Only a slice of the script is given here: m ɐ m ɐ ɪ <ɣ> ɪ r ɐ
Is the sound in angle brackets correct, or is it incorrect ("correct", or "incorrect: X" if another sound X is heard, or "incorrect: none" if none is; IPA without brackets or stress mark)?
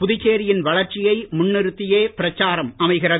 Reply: correct